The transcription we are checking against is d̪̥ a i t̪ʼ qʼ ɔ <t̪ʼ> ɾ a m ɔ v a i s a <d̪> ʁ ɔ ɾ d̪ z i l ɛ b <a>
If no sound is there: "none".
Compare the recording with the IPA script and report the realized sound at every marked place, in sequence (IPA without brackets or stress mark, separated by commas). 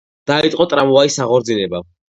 t̪ʼ, none, a